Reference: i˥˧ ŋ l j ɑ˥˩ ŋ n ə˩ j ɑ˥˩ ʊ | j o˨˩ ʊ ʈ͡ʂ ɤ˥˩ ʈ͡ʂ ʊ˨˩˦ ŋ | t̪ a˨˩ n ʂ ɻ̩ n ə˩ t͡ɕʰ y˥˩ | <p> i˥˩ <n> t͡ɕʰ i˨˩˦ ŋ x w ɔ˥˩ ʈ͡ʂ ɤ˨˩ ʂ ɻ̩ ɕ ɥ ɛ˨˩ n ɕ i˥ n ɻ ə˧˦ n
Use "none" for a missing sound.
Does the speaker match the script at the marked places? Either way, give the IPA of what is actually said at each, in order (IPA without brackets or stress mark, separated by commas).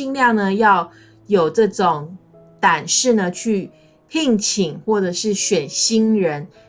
pʰ, ŋ